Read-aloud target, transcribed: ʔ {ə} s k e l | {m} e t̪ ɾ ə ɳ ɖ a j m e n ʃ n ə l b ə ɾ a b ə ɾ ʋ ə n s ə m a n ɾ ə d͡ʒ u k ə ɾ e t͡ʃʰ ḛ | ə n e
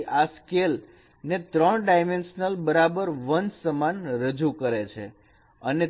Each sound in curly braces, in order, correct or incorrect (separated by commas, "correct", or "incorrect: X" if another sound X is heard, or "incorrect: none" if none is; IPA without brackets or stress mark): incorrect: a, incorrect: n